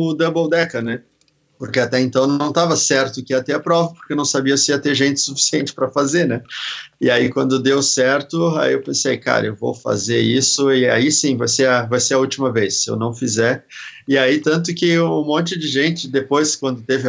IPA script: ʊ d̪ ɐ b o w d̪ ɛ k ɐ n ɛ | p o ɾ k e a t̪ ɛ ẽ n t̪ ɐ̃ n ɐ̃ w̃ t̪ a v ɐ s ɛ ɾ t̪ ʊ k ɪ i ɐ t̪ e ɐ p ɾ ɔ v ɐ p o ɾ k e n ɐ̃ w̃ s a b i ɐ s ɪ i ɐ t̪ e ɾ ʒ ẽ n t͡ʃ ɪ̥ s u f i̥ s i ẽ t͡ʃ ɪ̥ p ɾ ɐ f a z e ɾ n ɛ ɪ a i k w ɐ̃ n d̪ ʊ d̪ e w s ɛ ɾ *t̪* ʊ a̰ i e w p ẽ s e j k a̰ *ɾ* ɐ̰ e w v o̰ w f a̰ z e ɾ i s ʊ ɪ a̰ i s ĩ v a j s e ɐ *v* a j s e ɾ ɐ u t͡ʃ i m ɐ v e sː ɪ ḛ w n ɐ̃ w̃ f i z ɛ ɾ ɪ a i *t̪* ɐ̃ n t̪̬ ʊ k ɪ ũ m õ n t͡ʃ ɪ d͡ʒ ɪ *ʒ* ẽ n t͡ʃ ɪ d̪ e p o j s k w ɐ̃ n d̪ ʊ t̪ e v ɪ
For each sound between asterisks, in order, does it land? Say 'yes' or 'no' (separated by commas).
yes, yes, yes, yes, yes